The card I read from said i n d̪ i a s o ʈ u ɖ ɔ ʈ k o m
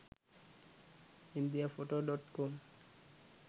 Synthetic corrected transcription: i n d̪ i a f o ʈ o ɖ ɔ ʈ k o m